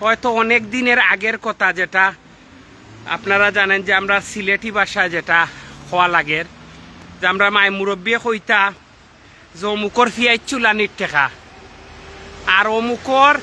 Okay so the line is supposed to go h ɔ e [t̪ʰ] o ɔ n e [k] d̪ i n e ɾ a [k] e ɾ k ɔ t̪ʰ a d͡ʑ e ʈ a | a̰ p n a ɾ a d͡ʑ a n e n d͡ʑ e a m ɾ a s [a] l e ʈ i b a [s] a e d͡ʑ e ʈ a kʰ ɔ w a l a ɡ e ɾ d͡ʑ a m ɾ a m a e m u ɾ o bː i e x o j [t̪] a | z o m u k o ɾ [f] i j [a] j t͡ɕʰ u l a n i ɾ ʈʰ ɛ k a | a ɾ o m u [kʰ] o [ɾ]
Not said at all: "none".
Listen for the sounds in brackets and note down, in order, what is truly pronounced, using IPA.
t̪, k, ɡ, i, ʃ, t̪, f, a, k, ɾ

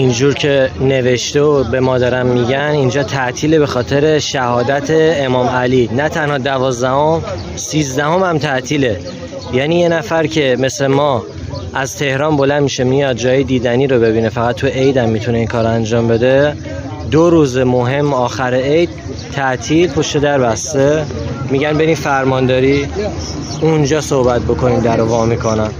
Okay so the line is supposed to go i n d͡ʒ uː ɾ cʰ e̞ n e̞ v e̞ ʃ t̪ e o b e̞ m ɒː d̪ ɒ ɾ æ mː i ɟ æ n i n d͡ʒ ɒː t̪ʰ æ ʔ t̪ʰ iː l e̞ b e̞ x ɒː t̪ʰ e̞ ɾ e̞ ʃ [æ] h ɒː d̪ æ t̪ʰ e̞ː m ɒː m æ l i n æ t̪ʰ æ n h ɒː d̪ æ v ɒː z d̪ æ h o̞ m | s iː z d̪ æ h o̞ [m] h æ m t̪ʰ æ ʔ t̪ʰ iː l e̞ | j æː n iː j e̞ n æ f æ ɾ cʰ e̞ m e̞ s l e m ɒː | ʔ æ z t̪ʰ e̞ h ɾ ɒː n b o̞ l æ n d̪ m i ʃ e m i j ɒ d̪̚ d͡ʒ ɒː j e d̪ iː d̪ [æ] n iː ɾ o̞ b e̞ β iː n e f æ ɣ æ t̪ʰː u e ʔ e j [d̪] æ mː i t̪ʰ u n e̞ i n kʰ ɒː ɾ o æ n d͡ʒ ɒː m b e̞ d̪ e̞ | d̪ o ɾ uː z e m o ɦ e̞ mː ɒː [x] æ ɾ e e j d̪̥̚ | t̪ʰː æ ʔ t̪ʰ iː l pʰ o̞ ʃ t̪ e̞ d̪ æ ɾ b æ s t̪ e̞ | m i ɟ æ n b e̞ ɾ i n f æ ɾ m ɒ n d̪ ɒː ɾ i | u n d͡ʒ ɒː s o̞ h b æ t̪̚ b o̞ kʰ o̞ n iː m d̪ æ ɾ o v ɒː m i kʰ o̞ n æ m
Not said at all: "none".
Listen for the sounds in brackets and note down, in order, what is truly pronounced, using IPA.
æ, m, æ, d̪, x

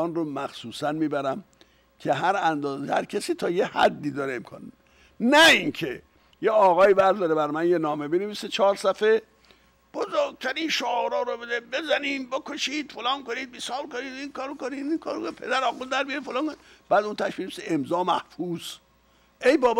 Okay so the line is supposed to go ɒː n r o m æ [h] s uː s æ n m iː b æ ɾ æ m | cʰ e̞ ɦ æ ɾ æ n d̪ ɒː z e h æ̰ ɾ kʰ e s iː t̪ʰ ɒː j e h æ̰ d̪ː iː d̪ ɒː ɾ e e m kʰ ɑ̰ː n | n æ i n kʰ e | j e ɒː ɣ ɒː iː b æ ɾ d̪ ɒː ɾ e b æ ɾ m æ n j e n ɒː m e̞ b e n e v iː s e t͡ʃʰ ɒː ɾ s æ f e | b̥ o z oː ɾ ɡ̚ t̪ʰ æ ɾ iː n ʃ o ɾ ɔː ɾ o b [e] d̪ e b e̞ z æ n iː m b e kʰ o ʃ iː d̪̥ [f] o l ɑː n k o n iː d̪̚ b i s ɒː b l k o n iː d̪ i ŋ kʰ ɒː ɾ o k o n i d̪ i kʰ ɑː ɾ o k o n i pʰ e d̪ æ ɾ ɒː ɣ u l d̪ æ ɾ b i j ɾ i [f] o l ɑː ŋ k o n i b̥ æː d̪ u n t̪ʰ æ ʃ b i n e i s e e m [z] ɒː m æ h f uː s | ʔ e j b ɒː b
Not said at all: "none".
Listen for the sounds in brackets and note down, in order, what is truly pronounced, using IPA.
x, e, f, f, z

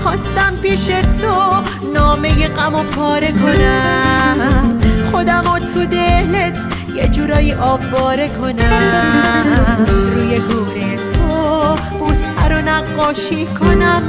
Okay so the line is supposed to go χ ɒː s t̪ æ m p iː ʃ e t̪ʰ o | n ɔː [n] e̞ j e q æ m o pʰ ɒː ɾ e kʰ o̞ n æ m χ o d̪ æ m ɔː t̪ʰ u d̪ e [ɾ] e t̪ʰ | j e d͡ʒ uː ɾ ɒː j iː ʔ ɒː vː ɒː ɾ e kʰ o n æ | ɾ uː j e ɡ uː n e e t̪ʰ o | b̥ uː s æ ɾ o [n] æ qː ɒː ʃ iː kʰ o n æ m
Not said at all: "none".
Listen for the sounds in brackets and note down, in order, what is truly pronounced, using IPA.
m, l, n

